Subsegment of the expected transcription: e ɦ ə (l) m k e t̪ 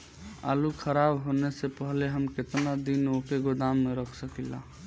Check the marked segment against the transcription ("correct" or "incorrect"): incorrect